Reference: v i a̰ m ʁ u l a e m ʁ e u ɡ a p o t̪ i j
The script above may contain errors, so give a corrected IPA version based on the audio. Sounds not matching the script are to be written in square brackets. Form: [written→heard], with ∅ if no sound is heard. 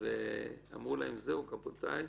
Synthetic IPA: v [i→e] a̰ m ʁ u l a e m [ʁ→z] e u [ɡ→k] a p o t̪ [i→a] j